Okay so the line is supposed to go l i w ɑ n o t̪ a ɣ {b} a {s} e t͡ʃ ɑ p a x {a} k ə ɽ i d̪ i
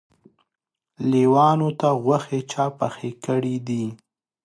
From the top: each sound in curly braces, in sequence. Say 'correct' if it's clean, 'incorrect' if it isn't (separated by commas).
incorrect, incorrect, incorrect